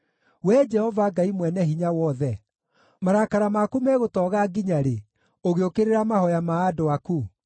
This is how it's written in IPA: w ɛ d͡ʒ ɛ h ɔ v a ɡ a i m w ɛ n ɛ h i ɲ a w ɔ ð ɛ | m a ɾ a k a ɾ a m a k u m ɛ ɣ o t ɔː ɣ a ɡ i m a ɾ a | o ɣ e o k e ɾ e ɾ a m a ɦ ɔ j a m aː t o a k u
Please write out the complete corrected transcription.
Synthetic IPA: w ɛ d͡ʒ ɛ h ɔ v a ɡ a i m w ɛ n ɛ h i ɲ a w ɔ ð ɛ | m a ɾ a k a ɾ a m a k u m ɛ ɣ o t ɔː ɣ a ɡ i ɲ a ɾ e | o ɣ e o k e ɾ e ɾ a m a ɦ ɔ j a m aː d o a k u